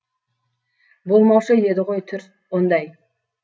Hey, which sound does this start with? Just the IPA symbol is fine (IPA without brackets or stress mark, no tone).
b